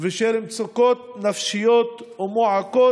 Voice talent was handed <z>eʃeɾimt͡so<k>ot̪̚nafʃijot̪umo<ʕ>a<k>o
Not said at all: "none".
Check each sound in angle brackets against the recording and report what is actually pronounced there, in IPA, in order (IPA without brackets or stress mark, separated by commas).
v, k, ʕ, k